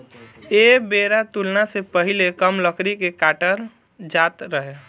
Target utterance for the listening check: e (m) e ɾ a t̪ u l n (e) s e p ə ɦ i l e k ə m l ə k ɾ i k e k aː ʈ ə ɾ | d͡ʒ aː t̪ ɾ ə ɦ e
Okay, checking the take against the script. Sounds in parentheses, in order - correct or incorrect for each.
incorrect, incorrect

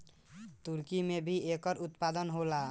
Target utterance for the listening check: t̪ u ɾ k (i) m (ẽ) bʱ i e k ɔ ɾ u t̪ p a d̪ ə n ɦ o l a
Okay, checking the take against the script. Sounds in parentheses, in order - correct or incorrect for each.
correct, incorrect

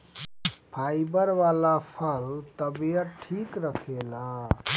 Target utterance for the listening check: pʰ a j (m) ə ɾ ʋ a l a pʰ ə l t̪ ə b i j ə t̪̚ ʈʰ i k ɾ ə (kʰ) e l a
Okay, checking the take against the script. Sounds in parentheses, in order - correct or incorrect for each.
incorrect, correct

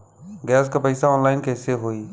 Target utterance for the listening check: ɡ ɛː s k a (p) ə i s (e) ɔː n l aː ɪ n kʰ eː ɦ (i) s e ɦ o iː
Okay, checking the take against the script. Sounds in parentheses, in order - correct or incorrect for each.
correct, incorrect, incorrect

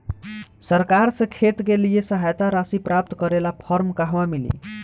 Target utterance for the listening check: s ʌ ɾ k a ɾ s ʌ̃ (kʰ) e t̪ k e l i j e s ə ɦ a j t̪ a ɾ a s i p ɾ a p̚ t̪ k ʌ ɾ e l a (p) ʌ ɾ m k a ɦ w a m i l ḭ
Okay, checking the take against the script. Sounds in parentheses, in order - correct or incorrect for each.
correct, incorrect

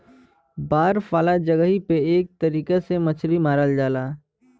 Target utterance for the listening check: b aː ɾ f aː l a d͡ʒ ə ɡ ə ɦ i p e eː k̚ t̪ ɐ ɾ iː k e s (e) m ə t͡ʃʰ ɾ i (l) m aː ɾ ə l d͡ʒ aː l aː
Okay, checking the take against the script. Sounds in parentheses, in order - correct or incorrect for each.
correct, incorrect

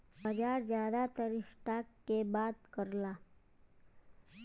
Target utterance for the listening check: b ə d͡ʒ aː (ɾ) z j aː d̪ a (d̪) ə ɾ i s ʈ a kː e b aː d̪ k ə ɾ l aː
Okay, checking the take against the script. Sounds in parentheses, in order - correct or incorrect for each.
correct, incorrect

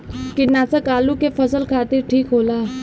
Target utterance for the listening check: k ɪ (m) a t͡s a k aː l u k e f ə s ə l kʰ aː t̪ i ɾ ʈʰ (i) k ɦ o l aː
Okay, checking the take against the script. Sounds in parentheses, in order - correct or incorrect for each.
incorrect, incorrect

